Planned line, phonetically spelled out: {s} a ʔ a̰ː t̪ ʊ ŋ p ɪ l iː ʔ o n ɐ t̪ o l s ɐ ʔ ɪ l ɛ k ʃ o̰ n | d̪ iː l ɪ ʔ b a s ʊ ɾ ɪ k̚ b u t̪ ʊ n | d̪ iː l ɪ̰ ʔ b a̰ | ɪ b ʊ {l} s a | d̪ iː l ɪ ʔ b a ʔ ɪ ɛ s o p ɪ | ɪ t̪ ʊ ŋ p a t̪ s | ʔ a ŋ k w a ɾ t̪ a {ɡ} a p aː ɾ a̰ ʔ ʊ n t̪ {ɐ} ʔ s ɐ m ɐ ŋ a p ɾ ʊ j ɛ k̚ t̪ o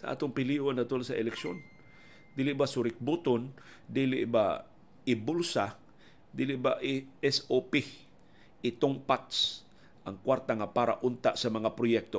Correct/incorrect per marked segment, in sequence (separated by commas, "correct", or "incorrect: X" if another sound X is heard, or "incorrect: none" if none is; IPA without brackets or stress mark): correct, correct, incorrect: ŋ, incorrect: a